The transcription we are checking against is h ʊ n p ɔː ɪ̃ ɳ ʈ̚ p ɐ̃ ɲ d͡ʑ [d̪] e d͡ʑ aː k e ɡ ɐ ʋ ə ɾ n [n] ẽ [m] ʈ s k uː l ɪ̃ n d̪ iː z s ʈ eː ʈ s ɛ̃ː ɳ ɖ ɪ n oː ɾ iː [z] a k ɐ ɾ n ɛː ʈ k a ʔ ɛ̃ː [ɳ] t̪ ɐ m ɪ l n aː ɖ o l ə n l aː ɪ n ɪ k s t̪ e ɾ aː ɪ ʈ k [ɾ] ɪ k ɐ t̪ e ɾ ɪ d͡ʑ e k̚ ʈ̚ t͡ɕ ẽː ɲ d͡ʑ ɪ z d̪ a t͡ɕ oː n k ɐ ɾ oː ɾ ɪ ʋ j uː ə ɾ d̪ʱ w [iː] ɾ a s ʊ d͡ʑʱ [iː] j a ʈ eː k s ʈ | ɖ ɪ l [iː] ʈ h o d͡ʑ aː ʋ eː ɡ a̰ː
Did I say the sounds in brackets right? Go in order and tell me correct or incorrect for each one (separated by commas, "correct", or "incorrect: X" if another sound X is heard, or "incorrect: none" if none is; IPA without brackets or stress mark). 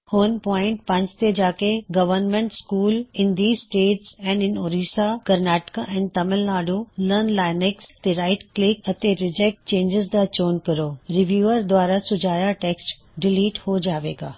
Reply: incorrect: t̪, incorrect: m, incorrect: ɳ, incorrect: s, incorrect: n, incorrect: l, incorrect: aː, incorrect: aː, correct